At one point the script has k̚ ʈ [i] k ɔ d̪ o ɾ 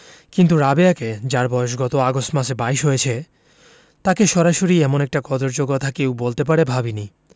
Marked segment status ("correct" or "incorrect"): incorrect